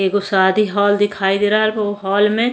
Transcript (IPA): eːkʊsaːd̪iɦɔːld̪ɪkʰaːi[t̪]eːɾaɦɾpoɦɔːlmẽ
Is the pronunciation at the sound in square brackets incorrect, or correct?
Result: incorrect